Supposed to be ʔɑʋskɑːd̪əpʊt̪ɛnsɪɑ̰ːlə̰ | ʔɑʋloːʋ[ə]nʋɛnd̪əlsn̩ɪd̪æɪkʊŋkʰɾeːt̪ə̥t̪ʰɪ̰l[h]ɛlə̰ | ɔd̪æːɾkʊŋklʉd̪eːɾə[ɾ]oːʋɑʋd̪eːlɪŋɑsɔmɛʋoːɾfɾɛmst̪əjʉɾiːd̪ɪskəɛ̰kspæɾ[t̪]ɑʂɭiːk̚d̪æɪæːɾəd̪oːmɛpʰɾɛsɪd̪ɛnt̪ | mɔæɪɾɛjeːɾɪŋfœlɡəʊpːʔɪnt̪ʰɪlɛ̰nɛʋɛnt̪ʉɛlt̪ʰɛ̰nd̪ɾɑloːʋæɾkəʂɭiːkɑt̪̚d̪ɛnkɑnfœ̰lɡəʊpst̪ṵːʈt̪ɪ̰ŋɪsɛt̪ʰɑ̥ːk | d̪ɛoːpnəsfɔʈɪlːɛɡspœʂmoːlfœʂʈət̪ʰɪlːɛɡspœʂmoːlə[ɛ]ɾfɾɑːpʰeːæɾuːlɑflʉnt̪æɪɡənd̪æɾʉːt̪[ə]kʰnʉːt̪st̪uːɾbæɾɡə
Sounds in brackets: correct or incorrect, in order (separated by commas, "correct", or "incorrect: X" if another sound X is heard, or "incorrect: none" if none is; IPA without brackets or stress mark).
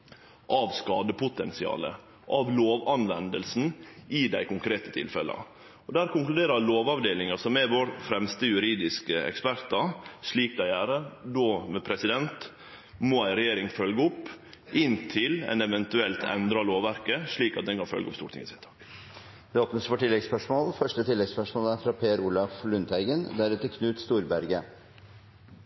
incorrect: ɑ, incorrect: f, incorrect: l, correct, incorrect: æ, correct